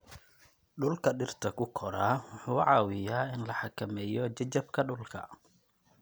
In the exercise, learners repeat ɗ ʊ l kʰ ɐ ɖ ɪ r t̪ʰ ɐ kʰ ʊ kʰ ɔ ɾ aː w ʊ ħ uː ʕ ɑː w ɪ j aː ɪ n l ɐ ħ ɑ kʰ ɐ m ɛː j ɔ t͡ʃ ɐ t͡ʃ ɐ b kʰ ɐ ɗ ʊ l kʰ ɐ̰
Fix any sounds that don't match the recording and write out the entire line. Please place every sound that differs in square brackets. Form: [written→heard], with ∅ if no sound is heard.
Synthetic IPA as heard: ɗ ʊ l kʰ ɐ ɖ ɪ r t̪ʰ ɐ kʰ ʊ kʰ ɔ ɾ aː w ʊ ħ uː ʕ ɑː w ɪ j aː ɪ n l ɐ ħ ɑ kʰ ɐ m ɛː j ɔ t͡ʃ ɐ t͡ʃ ɐ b kʰ ɐ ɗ ʊ l kʰ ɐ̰